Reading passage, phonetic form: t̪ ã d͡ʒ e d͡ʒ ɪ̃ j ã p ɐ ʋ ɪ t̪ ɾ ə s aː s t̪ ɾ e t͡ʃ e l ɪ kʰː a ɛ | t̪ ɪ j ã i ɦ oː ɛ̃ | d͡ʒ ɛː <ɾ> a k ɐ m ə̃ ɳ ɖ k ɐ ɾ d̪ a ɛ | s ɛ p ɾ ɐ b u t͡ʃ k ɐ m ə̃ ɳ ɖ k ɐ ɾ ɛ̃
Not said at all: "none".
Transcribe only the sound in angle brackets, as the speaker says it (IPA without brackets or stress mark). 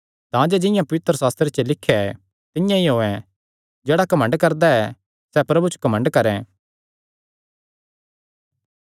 ɽ